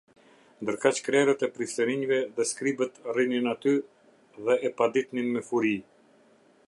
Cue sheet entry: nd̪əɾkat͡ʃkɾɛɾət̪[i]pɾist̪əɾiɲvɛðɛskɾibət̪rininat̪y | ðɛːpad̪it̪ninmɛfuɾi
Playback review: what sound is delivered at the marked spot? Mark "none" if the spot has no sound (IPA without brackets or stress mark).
ɛ